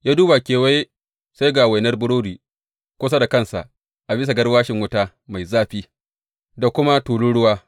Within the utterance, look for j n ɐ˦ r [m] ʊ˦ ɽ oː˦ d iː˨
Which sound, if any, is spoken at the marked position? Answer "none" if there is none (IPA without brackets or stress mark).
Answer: b